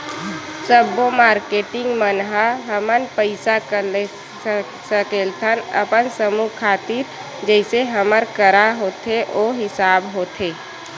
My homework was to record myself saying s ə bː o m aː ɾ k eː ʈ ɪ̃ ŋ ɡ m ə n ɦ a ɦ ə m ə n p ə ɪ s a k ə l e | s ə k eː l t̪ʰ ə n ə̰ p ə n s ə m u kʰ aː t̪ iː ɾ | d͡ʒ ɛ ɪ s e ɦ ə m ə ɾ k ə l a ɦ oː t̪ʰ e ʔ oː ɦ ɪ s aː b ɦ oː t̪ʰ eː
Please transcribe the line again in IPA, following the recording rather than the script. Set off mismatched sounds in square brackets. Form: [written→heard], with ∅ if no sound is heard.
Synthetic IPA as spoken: s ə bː o m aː ɾ k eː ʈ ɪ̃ ŋ ɡ m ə n ɦ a ɦ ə m ə n p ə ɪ s a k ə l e | s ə k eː l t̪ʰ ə n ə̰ p ə n s ə m u kʰ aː t̪ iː ɾ | d͡ʒ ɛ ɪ s e ɦ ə m ə ɾ k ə [l→ɾ] a ɦ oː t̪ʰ e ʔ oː ɦ ɪ s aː b ɦ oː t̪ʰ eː